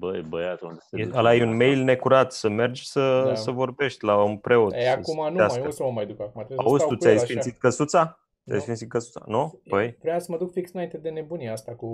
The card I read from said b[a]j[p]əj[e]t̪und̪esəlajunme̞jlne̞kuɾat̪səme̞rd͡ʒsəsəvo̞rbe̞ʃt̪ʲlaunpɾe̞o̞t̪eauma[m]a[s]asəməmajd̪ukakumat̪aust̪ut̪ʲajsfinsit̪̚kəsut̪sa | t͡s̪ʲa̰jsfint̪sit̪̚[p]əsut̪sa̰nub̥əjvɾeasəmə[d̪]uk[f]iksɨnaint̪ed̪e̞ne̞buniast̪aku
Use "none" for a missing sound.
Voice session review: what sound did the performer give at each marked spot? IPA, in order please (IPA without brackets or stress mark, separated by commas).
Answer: ə, b, a, n, s, k, d̪, f